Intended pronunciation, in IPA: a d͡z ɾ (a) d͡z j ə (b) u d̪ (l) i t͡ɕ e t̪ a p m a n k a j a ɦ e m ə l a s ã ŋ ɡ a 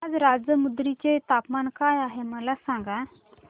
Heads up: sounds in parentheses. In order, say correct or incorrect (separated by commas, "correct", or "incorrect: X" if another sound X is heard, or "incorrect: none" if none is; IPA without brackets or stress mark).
correct, incorrect: m, incorrect: ɾ